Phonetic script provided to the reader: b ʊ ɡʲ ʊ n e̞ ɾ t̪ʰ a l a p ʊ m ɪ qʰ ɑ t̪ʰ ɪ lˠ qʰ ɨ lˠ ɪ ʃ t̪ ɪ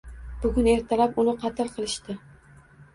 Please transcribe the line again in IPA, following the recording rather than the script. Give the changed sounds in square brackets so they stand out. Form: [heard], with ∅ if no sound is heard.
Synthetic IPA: b ʊ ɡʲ ʊ n e̞ ɾ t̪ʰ a l a p ʊ [n] ɪ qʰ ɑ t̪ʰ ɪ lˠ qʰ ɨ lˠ ɪ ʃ t̪ ɪ